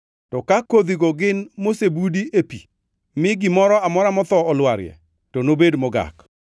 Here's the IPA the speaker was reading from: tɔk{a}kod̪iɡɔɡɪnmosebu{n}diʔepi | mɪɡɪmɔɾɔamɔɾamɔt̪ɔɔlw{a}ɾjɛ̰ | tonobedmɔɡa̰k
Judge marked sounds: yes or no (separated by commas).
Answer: yes, no, yes